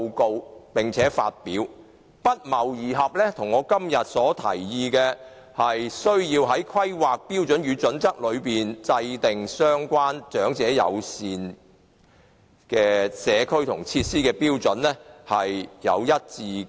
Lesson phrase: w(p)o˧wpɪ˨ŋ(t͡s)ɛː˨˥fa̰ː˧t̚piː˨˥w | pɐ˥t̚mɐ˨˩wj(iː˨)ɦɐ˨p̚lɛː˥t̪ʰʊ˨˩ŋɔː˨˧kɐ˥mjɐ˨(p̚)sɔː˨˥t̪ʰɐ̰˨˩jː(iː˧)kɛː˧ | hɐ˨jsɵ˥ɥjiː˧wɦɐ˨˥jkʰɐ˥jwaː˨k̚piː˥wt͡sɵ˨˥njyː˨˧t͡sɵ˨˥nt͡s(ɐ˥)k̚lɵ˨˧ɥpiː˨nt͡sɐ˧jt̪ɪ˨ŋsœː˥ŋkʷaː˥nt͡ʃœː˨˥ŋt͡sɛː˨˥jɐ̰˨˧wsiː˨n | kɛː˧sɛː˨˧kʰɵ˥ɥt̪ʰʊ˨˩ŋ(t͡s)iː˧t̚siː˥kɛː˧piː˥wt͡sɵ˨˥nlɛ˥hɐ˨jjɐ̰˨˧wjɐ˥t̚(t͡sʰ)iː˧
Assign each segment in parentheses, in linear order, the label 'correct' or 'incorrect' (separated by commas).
incorrect, incorrect, correct, incorrect, correct, correct, incorrect, incorrect